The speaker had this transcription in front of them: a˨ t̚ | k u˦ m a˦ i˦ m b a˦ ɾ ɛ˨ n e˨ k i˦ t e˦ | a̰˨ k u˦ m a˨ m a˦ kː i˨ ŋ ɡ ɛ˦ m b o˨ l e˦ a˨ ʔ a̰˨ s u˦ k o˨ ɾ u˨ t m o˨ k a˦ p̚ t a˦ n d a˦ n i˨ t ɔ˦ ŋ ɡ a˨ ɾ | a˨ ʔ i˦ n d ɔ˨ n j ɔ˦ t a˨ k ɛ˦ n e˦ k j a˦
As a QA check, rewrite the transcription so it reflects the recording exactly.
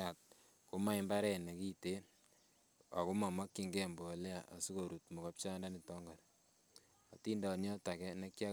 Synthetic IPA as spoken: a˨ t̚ | k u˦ m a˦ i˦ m b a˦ ɾ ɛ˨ n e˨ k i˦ t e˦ | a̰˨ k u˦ m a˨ m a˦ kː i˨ ŋ ɡ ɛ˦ m b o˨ l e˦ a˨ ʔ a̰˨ s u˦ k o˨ ɾ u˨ t m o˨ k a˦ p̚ t͡ʃ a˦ n d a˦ n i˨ t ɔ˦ ŋ ɡ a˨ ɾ | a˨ t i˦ n d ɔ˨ n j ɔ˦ t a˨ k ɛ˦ n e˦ k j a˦